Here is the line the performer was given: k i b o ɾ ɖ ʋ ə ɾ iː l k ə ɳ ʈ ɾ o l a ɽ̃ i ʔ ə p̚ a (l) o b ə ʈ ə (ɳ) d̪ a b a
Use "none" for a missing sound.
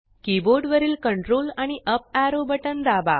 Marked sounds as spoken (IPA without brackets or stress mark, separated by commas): ɾ, n